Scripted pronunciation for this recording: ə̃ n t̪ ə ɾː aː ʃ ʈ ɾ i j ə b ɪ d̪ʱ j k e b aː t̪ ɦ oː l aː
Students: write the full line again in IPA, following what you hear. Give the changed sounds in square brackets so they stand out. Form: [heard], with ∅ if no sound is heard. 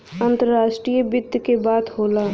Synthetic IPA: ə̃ n t̪ ə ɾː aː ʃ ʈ ɾ i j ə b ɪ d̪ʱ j k e b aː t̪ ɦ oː l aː